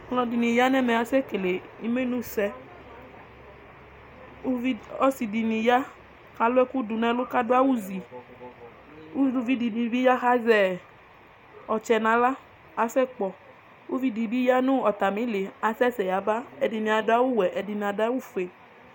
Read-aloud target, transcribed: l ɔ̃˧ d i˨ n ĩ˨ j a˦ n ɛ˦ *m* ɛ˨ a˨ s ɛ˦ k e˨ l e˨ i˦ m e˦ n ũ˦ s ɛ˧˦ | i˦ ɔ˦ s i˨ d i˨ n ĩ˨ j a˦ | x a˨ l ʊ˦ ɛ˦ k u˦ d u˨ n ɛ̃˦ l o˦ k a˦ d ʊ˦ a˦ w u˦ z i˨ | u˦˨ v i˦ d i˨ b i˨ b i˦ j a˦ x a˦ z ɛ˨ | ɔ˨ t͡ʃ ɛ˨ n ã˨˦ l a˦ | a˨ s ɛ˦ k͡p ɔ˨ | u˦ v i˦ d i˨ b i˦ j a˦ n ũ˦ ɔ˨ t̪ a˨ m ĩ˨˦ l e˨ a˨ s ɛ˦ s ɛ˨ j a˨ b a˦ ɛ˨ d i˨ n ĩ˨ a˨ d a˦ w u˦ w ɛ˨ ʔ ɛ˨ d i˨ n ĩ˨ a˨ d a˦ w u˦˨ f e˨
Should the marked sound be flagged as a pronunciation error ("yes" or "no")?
no